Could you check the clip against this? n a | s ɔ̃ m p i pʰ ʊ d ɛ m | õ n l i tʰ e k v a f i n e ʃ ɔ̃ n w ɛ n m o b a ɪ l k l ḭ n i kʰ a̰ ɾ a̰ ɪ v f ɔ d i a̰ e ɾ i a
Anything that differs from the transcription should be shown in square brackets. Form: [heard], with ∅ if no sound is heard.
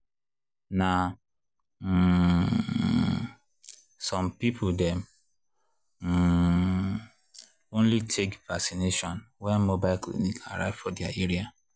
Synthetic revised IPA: n a | s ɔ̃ m p i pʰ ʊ d ɛ m | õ n l i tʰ e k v a [s] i n e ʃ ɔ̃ n w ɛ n m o b a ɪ l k l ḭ n i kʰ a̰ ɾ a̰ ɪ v f ɔ d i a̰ e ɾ i a

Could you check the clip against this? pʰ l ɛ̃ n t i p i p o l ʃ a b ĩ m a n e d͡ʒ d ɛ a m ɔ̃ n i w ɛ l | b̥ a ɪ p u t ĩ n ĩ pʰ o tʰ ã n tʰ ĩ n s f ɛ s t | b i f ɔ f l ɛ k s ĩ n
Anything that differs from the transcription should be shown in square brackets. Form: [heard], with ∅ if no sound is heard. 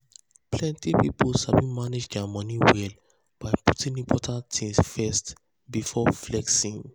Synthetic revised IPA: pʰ l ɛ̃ n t i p i p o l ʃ a b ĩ m a n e d͡ʒ d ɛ a m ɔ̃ n i w ɛ l | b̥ a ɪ p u t ĩ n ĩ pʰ [ɔ] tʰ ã n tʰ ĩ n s f ɛ s t | b i f ɔ f l ɛ k s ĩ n

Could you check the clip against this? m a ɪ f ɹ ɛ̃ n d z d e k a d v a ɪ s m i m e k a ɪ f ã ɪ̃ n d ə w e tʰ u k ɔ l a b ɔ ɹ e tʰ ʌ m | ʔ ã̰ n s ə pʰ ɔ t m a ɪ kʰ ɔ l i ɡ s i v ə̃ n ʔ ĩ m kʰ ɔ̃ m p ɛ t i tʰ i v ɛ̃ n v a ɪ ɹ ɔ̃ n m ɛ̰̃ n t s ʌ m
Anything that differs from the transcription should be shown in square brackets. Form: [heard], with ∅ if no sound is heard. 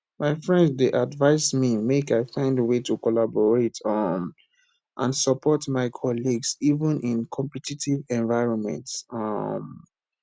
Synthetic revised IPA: m a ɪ f ɹ ɛ̃ n d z d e [ʔ] a d v a ɪ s m i m e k a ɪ f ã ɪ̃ n d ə w e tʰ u k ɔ l a b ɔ ɹ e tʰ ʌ m | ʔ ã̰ n s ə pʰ ɔ t m a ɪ kʰ ɔ l i ɡ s i v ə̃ n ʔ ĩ [n] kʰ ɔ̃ m p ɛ t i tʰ i v ɛ̃ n v a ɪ ɹ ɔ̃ n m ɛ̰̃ n t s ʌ m

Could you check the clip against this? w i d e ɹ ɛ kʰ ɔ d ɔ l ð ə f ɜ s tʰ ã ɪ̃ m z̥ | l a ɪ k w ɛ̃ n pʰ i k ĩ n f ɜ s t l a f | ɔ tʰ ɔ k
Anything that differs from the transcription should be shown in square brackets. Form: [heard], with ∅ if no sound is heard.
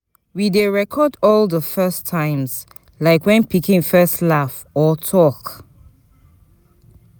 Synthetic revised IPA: w i d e ɹ ɛ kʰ ɔ d ɔ l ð ə f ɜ s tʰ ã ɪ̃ m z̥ | l a ɪ k w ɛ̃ n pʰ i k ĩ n f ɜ s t l a f | ɔ tʰ ɔ k

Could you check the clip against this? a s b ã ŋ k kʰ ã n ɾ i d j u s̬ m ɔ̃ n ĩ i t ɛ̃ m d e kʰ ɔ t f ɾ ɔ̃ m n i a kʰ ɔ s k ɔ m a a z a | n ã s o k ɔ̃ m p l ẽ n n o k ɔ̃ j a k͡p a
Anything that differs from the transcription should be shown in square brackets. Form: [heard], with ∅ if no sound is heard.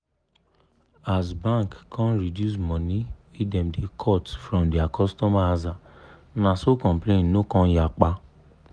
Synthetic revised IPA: a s b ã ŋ k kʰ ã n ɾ i d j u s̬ m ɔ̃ n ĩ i [d] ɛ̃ m d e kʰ ɔ t f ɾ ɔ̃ m [d] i a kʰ ɔ s [t] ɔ m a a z a | n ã s o k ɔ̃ m p l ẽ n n o k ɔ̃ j a k͡p a

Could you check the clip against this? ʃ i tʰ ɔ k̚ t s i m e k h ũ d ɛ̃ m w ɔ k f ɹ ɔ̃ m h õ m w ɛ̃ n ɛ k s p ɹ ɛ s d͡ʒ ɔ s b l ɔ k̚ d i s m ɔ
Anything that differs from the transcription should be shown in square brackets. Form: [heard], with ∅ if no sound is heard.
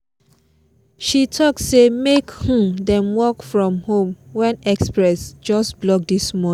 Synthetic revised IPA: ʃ i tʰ ɔ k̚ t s [e] m e k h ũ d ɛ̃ m w ɔ k f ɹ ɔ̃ m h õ m w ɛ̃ n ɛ k s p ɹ ɛ s d͡ʒ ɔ s b l ɔ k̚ d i s m ɔ

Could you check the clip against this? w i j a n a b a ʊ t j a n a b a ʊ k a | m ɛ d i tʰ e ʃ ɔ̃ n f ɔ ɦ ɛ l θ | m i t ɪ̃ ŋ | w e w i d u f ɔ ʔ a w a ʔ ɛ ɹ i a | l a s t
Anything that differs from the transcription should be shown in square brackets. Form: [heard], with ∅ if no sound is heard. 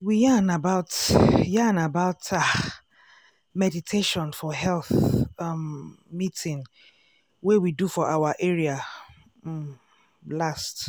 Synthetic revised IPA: w i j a n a b a ʊ t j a n a b a ʊ [t] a | m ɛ d i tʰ e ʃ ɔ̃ n f ɔ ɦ ɛ l θ | m i t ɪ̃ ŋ | w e w i d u f ɔ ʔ a w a ʔ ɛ ɹ i a | l a s t

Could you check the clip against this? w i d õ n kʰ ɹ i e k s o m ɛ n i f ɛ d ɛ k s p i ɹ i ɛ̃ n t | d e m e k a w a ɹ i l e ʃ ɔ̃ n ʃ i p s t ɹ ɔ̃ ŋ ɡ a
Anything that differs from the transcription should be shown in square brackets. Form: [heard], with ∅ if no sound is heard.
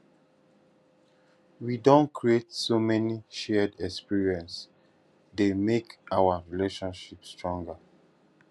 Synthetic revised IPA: w i d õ n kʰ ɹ i e [t] s o m ɛ n i [ʃ] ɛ d ɛ k s p i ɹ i ɛ̃ n [s] | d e m e k a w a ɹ i l e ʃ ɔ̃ n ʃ i p s t ɹ ɔ̃ ŋ ɡ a

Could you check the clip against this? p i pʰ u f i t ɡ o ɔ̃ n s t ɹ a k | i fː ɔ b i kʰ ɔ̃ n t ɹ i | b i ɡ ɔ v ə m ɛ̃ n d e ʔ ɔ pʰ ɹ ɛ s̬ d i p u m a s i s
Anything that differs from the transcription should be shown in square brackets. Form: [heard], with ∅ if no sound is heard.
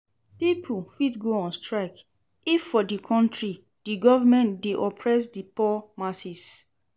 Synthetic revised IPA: p i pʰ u f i t ɡ o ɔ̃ n s t ɹ a k | i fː ɔ [d] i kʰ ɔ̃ n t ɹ i | [d] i ɡ ɔ v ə m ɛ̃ n d e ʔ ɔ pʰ ɹ ɛ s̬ d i p [ɔ] m a s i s

